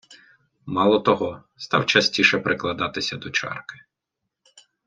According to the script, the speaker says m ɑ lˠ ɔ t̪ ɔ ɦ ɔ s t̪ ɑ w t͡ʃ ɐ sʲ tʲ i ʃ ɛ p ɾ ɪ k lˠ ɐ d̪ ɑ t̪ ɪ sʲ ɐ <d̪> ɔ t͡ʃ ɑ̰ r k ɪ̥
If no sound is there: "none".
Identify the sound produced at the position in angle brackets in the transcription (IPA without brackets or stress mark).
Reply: d̪